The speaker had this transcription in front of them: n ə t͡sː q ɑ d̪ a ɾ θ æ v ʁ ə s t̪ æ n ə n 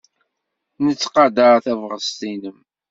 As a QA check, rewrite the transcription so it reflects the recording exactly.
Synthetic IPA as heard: n ə t͡sː q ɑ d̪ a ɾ θ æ v ʁ ə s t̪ i n ə m